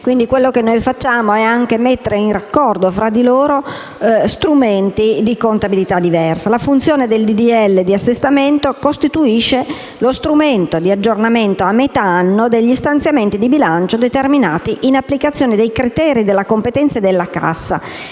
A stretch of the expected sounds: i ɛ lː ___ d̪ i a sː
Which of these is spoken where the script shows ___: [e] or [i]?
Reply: e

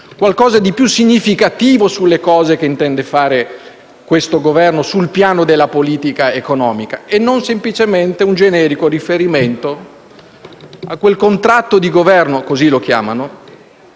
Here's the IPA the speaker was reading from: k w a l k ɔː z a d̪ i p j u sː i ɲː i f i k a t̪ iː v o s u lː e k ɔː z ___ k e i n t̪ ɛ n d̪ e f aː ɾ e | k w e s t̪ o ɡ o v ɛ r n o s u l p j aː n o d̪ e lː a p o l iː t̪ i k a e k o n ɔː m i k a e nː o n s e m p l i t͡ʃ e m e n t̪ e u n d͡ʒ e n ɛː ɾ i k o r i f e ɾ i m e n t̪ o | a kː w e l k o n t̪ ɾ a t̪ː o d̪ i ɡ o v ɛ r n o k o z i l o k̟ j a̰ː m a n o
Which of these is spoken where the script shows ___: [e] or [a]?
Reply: e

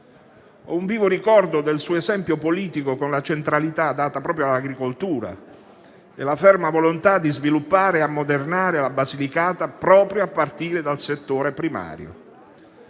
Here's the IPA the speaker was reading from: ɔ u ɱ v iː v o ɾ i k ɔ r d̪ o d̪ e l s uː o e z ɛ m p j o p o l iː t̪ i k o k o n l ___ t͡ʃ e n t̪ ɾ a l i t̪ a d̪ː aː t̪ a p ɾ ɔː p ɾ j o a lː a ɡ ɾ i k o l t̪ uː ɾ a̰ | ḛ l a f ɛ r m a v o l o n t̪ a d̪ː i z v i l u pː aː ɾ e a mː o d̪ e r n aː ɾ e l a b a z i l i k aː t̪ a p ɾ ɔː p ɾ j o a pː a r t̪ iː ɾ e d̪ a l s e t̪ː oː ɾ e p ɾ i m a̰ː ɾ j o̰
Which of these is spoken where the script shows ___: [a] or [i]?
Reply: a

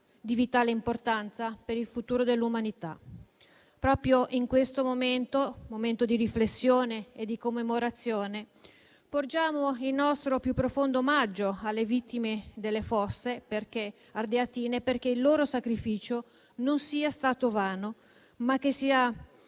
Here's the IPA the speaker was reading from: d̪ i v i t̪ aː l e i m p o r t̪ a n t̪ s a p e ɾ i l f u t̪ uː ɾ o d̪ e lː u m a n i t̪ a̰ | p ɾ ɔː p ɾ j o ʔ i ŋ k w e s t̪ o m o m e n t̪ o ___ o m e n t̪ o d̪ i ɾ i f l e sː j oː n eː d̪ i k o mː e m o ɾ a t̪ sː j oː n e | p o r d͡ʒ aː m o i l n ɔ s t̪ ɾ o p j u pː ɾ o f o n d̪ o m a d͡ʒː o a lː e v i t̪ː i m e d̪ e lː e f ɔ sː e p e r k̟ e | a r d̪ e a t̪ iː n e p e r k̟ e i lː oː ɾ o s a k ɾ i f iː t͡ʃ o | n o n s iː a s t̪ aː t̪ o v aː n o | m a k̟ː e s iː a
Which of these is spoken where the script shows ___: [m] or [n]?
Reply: m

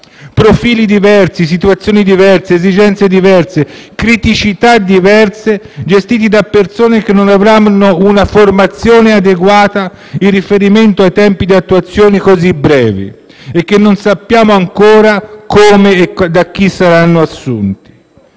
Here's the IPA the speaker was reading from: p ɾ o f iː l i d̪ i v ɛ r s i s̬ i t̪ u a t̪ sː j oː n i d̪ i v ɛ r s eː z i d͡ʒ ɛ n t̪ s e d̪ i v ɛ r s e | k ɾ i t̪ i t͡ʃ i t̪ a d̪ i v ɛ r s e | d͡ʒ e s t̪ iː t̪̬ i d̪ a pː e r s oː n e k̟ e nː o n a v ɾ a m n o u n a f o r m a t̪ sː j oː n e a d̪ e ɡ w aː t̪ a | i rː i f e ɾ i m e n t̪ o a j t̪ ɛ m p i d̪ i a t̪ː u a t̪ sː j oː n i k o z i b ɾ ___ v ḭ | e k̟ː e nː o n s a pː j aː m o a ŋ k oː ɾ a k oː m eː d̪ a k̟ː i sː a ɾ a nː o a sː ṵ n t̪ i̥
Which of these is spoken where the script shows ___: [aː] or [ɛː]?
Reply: ɛː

